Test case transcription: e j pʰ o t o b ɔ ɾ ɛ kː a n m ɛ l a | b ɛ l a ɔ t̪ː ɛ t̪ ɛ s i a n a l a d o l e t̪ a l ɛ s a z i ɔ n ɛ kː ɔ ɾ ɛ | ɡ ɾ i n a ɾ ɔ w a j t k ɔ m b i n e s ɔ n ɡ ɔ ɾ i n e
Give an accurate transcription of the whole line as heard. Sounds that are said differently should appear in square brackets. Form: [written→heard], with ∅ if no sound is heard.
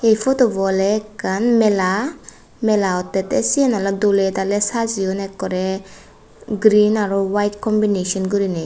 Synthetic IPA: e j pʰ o t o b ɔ [ɾ→l] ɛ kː a n m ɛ l a | [b→m] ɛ l a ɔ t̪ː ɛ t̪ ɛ s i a n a l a d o l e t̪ a l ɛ s a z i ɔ n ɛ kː ɔ ɾ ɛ | ɡ ɾ i n a ɾ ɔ w a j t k ɔ m b i n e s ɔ n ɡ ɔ ɾ i n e